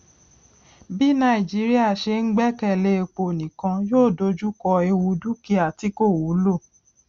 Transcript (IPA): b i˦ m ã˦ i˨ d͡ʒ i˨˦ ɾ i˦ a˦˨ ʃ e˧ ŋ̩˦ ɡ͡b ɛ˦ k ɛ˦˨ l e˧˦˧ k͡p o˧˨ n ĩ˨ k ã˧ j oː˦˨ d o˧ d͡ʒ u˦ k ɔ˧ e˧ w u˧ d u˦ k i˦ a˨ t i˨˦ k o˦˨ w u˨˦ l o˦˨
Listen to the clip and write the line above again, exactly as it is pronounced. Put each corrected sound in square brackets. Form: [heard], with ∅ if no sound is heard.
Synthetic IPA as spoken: b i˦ [n] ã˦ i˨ d͡ʒ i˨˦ ɾ i˦ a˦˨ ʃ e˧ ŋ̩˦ ɡ͡b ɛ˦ k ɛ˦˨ l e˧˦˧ k͡p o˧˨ n ĩ˨ k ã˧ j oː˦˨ d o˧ d͡ʒ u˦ k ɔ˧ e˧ w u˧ d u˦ k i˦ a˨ t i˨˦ k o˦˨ w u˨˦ l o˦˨

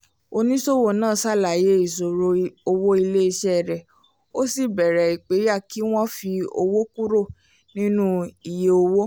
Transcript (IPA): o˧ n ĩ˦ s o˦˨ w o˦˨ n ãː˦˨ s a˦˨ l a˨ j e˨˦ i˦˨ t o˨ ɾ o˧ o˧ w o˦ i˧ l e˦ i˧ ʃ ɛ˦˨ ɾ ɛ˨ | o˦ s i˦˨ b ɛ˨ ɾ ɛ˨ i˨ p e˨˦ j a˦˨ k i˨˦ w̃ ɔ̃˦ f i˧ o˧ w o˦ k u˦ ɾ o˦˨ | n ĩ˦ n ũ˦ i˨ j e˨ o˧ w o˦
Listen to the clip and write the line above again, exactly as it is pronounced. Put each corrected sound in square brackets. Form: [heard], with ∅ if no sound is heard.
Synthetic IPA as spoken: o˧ n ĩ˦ s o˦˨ w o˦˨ n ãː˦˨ s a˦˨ l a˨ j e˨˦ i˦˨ [s] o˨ ɾ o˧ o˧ w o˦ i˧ l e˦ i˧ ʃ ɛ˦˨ ɾ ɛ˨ | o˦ s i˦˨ b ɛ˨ ɾ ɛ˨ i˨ [k͡p] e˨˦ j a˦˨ k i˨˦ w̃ ɔ̃˦ f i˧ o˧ w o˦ k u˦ ɾ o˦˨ | n ĩ˦ n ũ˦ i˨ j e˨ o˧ w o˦

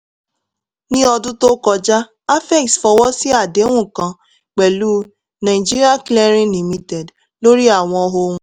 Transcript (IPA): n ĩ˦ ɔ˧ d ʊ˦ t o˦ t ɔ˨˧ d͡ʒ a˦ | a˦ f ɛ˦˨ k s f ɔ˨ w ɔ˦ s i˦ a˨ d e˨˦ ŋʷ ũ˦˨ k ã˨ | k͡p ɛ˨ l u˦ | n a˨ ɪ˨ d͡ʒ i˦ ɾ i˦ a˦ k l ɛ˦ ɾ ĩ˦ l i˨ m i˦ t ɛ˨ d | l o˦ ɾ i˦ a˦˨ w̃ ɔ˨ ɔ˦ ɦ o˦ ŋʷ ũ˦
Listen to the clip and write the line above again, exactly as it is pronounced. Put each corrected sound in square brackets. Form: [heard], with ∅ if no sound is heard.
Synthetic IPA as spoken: n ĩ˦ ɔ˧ d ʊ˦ t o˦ [k] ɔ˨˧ d͡ʒ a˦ | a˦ f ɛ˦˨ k s f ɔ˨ w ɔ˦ s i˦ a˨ d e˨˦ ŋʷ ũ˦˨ k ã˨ | k͡p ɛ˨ l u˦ | n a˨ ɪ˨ d͡ʒ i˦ ɾ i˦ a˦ k l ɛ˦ ɾ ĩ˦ l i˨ m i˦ t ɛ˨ d | l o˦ ɾ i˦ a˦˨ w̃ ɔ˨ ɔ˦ ɦ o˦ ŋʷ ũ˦

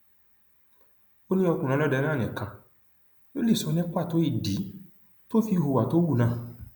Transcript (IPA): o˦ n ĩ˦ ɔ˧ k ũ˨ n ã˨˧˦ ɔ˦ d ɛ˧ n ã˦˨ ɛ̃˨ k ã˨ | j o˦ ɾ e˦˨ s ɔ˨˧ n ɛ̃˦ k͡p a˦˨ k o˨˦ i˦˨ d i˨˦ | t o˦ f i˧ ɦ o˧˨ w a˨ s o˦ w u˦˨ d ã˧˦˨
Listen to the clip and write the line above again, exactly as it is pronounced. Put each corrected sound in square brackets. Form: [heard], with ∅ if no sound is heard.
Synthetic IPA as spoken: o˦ n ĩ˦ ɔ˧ k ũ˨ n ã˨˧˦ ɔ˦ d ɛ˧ n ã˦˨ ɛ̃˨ k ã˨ | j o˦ [l] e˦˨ s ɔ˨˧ n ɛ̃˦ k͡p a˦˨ [t] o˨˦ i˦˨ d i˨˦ | t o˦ f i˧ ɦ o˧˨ w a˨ [t] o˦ w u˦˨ [n] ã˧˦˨

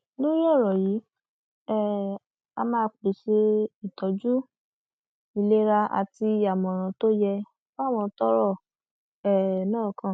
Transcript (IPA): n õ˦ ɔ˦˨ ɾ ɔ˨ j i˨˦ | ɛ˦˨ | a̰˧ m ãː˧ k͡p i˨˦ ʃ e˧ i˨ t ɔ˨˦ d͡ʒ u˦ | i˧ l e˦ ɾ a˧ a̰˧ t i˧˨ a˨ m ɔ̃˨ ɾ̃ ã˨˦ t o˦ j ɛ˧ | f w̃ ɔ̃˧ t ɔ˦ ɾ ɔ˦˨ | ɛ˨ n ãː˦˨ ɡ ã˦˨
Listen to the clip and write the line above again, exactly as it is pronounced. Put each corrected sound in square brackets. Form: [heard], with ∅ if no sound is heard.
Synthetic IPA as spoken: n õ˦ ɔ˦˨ ɾ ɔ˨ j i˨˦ | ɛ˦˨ | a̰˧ m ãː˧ k͡p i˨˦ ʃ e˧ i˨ t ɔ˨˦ d͡ʒ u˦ | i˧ l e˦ ɾ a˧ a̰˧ t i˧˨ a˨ m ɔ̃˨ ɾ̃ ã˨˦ t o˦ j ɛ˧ | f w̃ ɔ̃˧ t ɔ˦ ɾ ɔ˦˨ | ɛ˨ n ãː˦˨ [k] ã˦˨

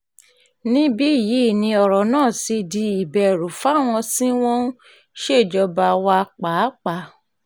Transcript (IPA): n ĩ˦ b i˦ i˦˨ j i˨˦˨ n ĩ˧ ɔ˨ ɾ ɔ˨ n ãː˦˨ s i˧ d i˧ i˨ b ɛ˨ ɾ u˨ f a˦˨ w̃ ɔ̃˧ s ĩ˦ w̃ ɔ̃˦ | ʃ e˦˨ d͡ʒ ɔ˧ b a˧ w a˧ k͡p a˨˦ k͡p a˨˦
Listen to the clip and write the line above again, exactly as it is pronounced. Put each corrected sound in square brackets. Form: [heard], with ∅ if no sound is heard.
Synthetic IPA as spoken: n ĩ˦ b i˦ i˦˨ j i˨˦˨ n ĩ˧ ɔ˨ ɾ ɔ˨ n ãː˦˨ s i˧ d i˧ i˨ b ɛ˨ ɾ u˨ f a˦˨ w̃ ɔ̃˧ s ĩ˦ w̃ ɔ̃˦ | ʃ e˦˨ d͡ʒ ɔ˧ b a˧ w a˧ k͡p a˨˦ k͡p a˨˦

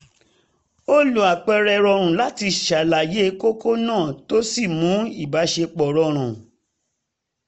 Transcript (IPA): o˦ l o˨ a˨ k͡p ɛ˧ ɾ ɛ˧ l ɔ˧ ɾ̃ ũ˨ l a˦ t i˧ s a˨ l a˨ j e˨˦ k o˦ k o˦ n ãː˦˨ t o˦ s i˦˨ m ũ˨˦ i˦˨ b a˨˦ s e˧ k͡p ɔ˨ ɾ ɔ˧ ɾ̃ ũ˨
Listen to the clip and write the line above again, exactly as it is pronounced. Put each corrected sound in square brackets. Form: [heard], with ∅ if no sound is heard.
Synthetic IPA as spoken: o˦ l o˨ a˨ k͡p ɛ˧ ɾ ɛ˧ [ɾ] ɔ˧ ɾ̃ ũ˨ l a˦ t i˧ [ʃ] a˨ l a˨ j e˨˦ k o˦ k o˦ n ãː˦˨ t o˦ s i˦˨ m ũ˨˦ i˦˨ b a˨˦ [ʃ] e˧ k͡p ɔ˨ ɾ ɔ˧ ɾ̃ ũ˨

